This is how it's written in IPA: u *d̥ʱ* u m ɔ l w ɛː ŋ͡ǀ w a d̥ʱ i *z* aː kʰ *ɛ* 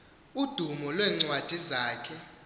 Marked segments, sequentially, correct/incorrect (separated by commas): correct, correct, correct